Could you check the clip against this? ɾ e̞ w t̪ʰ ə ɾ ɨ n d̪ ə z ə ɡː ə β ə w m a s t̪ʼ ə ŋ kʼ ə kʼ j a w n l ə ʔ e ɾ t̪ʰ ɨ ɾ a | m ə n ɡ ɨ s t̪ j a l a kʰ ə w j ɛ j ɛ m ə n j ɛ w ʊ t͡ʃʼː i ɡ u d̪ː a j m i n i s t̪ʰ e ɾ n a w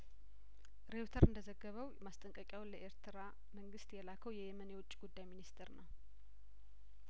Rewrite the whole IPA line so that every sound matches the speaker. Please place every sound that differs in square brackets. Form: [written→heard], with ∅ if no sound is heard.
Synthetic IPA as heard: ɾ e̞ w t̪ʰ ə ɾ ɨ n d̪ ə z ə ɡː ə β ə w m a s t̪ʼ ə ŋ kʼ ə kʼ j a w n l ə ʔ e ɾ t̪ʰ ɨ ɾ a | m ə [n→ŋ] ɡ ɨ s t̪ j [a→ɛ] l a kʰ ə w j ɛ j ɛ m ə n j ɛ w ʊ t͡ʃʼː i ɡ u d̪ː a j m i n i s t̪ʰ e ɾ n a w